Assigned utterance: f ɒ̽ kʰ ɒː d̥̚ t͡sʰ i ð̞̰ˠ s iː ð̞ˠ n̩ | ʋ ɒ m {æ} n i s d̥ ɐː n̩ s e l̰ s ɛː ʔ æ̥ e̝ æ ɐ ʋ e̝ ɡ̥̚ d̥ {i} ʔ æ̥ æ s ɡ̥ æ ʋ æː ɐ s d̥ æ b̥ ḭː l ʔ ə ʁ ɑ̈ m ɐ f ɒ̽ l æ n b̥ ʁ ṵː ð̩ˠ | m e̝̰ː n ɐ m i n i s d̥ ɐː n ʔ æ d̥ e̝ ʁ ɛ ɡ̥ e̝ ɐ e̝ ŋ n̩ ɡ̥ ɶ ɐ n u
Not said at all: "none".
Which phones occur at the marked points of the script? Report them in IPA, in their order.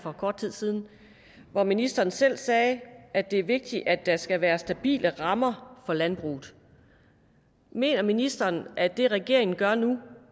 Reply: i, i

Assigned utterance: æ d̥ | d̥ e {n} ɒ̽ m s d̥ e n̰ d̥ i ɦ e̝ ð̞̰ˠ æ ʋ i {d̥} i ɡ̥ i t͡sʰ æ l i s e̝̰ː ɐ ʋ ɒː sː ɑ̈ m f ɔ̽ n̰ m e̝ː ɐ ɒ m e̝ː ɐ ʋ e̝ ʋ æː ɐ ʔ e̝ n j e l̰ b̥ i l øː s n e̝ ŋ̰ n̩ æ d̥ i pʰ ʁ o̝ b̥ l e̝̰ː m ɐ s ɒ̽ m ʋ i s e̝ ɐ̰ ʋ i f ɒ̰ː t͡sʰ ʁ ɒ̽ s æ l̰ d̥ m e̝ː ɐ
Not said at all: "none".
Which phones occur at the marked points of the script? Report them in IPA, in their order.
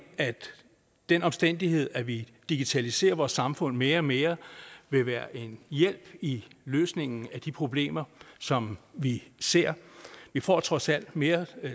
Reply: n, d̥

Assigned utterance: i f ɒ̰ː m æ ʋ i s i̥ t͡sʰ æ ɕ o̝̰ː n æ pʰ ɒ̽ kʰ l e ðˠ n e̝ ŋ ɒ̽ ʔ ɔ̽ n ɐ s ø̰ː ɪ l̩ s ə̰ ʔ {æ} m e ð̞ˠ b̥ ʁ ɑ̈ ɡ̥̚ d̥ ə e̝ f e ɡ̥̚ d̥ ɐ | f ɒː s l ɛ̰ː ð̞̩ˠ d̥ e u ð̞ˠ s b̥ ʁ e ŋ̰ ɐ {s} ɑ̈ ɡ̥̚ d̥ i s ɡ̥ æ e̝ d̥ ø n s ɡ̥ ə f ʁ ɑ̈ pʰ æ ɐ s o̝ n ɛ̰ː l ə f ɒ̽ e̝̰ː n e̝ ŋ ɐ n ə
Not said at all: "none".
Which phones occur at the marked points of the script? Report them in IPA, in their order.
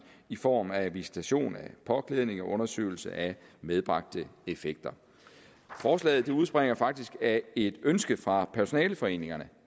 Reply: æ, f

